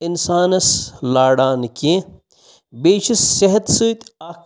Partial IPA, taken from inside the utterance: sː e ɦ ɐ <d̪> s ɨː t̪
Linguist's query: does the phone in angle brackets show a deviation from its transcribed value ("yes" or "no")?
yes